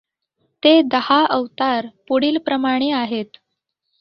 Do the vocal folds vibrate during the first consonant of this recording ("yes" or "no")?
no